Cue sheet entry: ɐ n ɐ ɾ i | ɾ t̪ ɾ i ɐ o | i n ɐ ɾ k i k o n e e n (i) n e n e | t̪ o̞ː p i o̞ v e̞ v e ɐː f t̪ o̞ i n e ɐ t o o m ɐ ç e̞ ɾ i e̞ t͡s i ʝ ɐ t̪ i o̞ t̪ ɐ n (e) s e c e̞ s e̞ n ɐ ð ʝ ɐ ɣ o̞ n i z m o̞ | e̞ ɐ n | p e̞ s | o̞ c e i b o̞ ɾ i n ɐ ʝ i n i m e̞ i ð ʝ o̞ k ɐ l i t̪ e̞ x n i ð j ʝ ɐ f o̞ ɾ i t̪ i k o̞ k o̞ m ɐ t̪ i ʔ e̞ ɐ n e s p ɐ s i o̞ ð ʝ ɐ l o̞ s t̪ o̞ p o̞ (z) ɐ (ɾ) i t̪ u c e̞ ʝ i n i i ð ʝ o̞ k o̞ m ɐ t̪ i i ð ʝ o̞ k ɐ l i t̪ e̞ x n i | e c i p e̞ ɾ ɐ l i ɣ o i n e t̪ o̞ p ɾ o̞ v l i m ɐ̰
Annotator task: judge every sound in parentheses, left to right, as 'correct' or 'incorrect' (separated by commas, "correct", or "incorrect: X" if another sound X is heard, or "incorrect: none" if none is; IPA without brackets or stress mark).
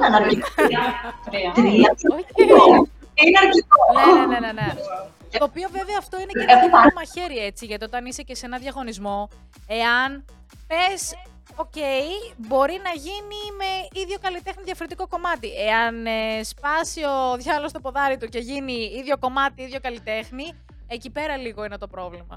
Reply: incorrect: e, incorrect: i, incorrect: ð, correct